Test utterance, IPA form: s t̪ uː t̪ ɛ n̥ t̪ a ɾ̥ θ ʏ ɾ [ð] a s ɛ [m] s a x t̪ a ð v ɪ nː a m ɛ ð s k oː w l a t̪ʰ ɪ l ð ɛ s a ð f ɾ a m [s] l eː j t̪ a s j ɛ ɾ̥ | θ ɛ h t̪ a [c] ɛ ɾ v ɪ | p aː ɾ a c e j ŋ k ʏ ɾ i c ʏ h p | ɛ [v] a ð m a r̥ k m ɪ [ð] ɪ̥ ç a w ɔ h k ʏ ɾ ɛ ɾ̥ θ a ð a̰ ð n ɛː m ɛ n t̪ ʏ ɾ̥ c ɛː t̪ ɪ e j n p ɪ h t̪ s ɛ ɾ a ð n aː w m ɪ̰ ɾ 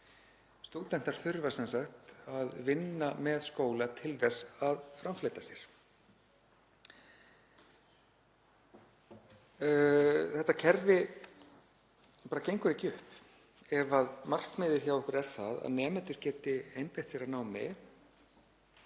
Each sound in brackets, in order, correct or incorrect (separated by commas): incorrect, incorrect, incorrect, incorrect, correct, correct